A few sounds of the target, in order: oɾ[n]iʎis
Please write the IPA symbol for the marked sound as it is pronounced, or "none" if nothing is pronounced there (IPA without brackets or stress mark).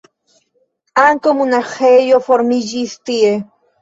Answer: m